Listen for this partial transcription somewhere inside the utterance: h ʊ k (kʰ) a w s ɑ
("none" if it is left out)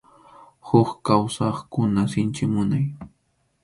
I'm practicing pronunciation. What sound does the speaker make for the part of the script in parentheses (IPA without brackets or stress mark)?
k